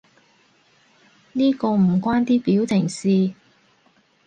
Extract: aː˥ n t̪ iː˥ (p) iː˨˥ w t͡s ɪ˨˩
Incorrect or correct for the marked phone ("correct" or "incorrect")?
correct